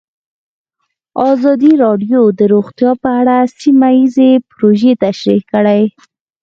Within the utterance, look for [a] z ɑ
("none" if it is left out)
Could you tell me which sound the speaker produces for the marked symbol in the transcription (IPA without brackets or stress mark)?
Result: ɑ